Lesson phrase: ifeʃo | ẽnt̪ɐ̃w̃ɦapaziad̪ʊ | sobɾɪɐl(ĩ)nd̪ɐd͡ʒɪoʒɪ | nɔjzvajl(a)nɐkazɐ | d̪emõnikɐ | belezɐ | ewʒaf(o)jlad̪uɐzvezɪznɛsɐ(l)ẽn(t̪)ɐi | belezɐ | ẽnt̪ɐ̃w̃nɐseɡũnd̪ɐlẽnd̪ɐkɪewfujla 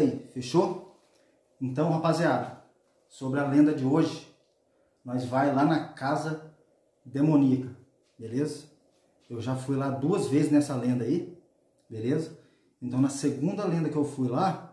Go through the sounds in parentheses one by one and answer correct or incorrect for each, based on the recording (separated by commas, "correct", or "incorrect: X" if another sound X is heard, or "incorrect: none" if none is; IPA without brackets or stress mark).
incorrect: ẽ, correct, incorrect: u, correct, incorrect: d̪